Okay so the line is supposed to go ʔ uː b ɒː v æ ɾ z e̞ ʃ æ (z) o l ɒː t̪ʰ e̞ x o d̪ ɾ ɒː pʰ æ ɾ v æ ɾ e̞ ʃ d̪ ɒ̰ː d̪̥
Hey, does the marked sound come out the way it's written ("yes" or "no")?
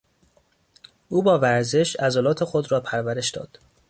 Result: yes